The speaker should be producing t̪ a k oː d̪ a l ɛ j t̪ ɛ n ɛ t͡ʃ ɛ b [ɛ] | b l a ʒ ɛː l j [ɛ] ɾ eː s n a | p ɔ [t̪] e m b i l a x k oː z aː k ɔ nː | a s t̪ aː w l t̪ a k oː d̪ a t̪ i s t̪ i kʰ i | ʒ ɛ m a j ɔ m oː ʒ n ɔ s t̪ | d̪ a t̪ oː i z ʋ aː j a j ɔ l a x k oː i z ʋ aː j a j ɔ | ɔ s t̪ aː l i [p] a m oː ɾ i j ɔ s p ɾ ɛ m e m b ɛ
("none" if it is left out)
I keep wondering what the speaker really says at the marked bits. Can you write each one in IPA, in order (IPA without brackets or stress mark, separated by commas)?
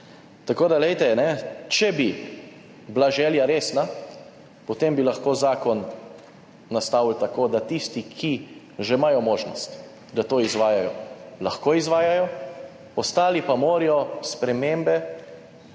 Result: i, a, t̪, p